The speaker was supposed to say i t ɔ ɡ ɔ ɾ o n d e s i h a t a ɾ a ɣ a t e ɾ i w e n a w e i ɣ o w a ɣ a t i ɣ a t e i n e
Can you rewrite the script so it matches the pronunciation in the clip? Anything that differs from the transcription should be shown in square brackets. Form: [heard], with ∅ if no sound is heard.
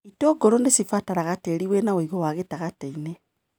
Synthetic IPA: i t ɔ ɡ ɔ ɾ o n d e s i [f] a t a ɾ a ɣ a t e ɾ i w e n a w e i ɣ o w a ɣ [e] t [a] ɣ a t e i n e